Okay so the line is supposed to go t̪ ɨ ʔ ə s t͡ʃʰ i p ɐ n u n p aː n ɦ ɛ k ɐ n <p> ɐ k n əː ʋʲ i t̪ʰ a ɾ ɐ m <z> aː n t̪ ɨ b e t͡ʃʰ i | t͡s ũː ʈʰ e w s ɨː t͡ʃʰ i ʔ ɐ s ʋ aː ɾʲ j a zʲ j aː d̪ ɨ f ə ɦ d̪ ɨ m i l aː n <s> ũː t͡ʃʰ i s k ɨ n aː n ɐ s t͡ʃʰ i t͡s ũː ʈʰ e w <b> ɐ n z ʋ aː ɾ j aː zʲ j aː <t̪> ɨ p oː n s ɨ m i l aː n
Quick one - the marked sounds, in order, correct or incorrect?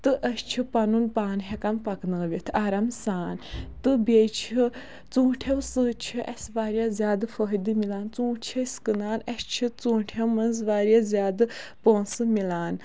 correct, incorrect, incorrect, incorrect, incorrect

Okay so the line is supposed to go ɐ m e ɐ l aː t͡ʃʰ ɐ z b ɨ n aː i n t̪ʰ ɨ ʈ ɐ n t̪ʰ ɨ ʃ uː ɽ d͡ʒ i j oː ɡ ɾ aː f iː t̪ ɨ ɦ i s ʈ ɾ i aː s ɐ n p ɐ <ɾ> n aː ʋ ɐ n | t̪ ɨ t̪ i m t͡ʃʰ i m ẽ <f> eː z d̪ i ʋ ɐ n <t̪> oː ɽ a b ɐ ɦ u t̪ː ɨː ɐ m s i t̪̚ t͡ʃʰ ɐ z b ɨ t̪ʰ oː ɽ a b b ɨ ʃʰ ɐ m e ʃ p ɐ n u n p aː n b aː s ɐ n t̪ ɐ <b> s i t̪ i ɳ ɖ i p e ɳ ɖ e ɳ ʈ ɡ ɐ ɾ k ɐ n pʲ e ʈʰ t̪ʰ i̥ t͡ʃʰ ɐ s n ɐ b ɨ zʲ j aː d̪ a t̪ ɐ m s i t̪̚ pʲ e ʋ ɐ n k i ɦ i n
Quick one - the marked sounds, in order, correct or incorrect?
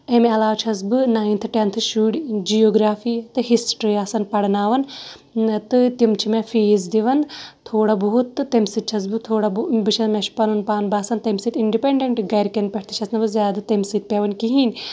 incorrect, correct, incorrect, incorrect

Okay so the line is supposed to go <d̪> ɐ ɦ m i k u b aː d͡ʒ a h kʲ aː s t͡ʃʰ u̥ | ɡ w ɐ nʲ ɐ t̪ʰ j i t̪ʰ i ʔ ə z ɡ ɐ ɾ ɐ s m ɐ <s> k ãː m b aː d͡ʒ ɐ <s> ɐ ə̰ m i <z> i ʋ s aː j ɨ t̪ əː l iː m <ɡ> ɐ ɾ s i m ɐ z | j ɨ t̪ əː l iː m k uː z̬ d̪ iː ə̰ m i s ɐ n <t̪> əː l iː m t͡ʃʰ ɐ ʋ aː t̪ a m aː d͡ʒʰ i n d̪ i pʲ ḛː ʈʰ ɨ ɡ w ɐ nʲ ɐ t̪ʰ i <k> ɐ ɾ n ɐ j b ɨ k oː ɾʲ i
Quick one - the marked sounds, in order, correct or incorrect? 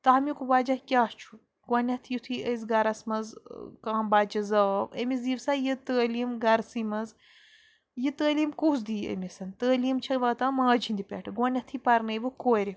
incorrect, incorrect, incorrect, correct, correct, correct, incorrect

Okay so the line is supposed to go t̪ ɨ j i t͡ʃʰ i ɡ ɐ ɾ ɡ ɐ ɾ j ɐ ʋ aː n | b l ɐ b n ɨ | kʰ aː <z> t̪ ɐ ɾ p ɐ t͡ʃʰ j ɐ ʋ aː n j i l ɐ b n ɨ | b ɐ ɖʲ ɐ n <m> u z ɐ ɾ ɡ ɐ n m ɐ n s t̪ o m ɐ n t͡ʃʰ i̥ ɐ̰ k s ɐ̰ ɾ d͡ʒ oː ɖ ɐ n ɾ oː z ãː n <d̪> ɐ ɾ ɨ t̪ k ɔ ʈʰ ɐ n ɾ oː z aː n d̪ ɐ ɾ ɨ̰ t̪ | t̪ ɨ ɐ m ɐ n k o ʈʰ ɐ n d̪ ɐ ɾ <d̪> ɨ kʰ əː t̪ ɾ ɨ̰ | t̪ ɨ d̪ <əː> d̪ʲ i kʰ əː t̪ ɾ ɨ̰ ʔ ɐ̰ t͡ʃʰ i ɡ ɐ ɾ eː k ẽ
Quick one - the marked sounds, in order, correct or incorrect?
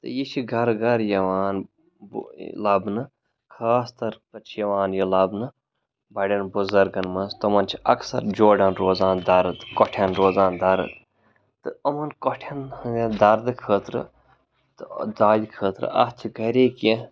incorrect, incorrect, correct, correct, incorrect

